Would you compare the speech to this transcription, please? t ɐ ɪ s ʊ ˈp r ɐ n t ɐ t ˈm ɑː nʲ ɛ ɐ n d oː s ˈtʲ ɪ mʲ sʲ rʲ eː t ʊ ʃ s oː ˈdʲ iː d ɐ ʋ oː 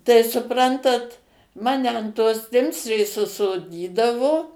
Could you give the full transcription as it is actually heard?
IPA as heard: t ɐ ɪ s ʊ ˈp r ɐ n t ɐ t ˈm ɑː nʲ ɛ ɐ n t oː s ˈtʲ ɪ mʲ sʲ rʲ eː s ʊ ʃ s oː ˈdʲ iː d ɐ ʋ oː